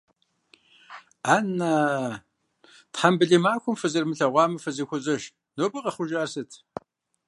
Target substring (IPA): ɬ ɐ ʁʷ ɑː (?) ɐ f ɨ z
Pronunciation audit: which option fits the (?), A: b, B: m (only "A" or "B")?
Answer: B